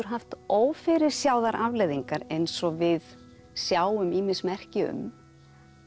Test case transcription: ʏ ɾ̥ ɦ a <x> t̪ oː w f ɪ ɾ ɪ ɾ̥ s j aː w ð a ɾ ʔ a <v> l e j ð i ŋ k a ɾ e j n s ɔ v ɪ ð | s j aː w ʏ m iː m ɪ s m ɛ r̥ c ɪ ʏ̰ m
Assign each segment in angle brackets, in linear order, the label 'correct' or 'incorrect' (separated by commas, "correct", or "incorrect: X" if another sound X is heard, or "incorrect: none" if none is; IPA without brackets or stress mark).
incorrect: f, correct